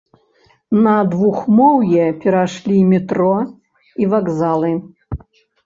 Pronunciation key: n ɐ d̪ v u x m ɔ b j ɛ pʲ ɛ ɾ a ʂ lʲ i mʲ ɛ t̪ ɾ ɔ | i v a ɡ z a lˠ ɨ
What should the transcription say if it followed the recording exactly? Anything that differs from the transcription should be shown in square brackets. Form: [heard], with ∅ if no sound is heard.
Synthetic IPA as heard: n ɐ d̪ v u x m ɔ [w] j ɛ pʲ ɛ ɾ a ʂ lʲ i mʲ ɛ t̪ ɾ ɔ | i v a ɡ z a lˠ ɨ